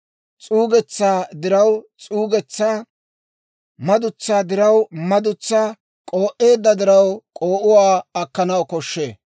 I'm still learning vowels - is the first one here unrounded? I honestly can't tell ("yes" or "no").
no